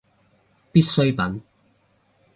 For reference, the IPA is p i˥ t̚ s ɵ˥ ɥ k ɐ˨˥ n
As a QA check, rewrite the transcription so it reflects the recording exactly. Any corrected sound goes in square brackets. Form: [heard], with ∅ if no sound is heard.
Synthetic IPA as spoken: p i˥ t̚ s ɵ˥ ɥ [p] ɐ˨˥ n